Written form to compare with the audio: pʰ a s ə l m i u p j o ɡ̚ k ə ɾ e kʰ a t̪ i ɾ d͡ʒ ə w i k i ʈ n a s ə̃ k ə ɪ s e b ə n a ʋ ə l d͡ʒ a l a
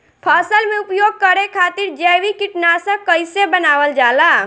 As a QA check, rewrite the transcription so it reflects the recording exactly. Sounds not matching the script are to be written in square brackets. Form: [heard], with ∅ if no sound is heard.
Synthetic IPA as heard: pʰ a s ə l m [e] u p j o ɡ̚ k ə ɾ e kʰ a t̪ i ɾ d͡ʒ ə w i k i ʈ n a s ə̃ k ə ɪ s e b ə n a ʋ ə l d͡ʒ a l a